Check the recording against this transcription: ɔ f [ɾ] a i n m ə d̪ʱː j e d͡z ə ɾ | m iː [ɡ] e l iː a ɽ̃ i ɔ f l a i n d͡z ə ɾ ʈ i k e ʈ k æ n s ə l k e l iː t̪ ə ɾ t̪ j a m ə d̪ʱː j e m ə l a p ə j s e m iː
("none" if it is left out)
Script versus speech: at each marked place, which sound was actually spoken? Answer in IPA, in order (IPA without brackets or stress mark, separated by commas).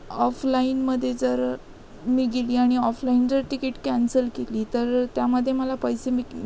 l, ɡ